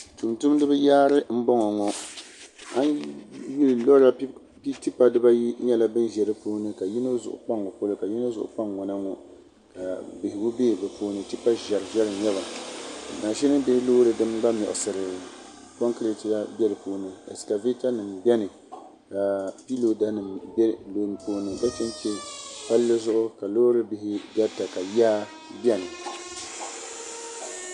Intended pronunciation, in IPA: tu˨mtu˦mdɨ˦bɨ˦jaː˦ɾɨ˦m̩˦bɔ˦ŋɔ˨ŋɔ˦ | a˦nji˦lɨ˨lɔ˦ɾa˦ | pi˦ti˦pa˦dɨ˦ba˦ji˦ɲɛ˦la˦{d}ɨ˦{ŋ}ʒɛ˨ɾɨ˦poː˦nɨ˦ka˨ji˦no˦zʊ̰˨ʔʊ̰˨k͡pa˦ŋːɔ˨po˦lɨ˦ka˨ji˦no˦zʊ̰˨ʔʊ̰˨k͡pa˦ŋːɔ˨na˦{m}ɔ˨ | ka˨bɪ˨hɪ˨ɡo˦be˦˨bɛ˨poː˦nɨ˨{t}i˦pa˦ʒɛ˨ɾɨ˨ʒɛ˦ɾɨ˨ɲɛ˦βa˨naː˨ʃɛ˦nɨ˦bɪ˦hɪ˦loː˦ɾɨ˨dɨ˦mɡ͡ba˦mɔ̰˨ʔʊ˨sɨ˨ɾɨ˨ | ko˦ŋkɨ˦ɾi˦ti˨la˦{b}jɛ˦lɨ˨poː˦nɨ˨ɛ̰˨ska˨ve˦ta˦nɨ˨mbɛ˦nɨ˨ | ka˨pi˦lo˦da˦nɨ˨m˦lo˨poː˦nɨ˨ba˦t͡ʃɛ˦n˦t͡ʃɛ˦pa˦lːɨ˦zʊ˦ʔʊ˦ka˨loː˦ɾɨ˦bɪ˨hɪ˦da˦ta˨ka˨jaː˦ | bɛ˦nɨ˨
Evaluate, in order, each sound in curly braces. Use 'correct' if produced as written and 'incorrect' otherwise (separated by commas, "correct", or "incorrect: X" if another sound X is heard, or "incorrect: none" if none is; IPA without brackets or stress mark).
incorrect: b, incorrect: n, incorrect: ŋ, correct, correct